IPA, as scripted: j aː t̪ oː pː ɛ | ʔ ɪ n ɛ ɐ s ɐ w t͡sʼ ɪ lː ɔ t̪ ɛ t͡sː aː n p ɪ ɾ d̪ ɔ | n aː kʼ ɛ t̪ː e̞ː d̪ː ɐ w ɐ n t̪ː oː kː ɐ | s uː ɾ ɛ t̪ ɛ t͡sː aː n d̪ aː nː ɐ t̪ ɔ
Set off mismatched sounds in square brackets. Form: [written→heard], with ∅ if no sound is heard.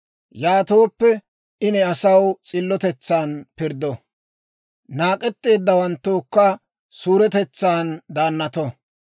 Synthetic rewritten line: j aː t̪ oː pː ɛ | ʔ ɪ n ɛ ɐ s ɐ w t͡sʼ ɪ lː ɔ t̪ ɛ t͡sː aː n p ɪ ɾ d̪ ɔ | n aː kʼ ɛ t̪ː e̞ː d̪ː ɐ w ɐ n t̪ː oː kː ɐ | s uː ɾ ɛ t̪ ɛ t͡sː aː n d̪ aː nː ɐ t̪ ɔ